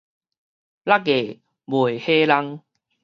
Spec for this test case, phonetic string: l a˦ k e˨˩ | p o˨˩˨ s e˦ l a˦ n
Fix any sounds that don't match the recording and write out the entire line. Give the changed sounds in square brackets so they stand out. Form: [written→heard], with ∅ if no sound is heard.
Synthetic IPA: l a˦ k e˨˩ | [p→b] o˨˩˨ [s→h] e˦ l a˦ [n→ŋ]